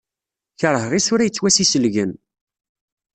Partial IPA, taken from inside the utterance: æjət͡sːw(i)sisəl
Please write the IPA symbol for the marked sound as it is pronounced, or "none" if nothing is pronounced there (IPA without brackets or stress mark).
æ